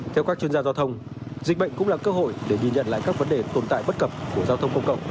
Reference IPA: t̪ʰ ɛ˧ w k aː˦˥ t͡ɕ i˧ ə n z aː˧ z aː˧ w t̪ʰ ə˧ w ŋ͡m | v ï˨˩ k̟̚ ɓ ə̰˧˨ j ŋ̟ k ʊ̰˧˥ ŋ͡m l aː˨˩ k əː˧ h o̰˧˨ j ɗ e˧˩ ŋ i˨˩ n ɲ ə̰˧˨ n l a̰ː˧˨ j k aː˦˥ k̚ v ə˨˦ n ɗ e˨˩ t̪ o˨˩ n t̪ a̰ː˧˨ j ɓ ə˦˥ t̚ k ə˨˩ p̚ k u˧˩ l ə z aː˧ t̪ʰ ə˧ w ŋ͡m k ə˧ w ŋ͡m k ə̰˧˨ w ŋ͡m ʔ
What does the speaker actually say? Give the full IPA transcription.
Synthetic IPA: t̪ʰ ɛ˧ w k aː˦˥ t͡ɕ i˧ ə n z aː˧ z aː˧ w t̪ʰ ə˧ w ŋ͡m | z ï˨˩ k̟̚ ɓ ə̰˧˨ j ŋ̟ k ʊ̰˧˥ ŋ͡m l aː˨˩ k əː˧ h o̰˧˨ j ɗ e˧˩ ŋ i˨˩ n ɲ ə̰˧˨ n l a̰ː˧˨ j k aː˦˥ k̚ v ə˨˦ n ɗ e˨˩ t̪ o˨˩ n t̪ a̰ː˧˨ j ɓ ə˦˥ t̚ k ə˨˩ p̚ k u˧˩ ə z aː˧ t̪ʰ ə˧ w ŋ͡m k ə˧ w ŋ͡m k ə̰˧˨ w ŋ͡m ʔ